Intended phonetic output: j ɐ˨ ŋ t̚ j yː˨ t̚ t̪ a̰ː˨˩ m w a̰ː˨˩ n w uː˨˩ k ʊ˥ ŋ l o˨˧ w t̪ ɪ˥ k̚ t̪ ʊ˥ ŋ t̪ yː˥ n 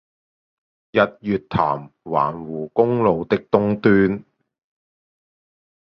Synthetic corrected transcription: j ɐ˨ t̚ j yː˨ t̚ t̪ʰ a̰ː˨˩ m w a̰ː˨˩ n w uː˨˩ k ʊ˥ ŋ l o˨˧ w t̪ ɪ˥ k̚ t̪ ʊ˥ ŋ t̪ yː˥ n